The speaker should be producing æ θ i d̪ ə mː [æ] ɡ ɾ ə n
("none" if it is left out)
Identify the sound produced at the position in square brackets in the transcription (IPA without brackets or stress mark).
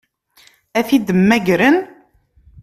æ